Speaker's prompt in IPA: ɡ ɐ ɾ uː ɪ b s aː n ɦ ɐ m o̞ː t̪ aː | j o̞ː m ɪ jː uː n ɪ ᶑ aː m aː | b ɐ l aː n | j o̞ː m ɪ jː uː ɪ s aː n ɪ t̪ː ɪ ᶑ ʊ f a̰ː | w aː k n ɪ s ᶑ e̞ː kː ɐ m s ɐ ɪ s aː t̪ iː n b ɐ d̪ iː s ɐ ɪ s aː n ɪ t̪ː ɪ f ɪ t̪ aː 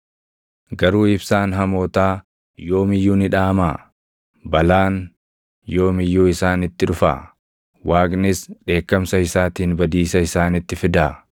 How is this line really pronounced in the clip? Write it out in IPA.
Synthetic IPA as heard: ɡ ɐ ɾ uː ɪ b s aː n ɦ ɐ m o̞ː t̪ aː | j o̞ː m ɪ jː uː n ɪ ᶑ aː m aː | b ɐ l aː n | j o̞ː m ɪ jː uː ɪ s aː n ɪ t̪ː ɪ ᶑ ʊ f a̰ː | w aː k n ɪ s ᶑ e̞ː kː ɐ m s ɐ ɪ s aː t̪ iː n b ɐ d̪ iː s ɐ ɪ s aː n ɪ t̪ː ɪ f ɪ d̪ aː